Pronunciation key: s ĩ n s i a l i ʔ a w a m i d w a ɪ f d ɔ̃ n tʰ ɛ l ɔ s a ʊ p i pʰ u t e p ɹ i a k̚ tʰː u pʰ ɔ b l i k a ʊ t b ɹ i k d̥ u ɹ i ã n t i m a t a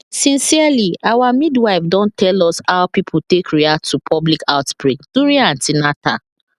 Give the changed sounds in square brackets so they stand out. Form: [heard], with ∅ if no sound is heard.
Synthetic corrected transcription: s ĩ n s i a l i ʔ a w a m i d w a ɪ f d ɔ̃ n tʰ ɛ l ɔ s a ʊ p i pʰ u t e [k] ɹ i a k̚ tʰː u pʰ ɔ b l i k a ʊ t b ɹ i k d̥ u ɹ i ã n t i [n] a t a